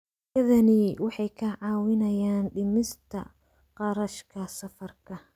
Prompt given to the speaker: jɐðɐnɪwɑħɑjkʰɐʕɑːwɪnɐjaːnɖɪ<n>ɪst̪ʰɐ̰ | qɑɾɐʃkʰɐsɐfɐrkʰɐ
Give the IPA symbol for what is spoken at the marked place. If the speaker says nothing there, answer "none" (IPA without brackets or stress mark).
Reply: m